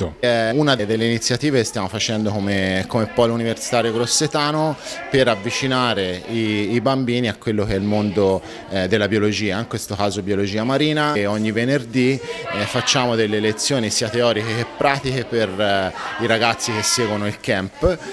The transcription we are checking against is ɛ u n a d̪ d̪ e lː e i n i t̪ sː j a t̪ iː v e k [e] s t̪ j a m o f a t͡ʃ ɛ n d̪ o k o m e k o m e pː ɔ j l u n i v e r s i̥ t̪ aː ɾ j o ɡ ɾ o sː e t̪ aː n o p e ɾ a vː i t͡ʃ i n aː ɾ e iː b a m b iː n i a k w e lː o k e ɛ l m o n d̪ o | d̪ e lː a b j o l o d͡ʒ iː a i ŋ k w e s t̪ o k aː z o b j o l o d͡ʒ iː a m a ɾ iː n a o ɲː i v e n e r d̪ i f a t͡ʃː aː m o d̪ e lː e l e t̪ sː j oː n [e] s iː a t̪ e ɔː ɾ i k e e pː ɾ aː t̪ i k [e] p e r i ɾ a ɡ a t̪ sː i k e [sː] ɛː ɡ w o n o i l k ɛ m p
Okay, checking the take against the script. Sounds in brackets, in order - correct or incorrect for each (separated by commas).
correct, incorrect, correct, correct